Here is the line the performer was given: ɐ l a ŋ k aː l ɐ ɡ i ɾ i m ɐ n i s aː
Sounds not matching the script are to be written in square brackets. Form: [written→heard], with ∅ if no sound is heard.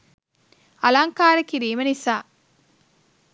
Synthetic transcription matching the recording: ɐ l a ŋ k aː [l→ɾ] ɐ [ɡ→k] i ɾ [i→iː] m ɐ n i s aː